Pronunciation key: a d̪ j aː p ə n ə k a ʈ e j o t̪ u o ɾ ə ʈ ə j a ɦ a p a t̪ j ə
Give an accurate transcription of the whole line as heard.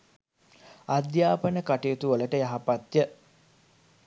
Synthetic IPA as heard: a d̪ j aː p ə n ə k a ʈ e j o t̪ u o l ə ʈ ə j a ɦ a p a t̪ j ə